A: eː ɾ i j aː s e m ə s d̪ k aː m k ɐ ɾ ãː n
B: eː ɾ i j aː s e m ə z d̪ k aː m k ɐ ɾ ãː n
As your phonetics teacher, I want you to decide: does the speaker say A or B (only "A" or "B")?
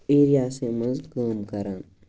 B